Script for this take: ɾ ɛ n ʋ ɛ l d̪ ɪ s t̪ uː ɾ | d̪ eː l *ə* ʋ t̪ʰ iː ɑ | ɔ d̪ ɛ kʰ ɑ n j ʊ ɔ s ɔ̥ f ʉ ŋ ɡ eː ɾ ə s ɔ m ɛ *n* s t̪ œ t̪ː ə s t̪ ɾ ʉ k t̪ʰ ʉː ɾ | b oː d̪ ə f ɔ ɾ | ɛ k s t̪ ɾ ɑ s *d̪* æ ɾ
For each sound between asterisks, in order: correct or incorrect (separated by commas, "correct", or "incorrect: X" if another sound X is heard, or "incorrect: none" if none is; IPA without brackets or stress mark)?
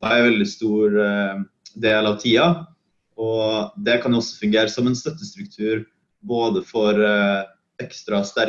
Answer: incorrect: ɑ, correct, incorrect: t̪